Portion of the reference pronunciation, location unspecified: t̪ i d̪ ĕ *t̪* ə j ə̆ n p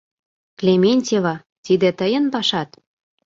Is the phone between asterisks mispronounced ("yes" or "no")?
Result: no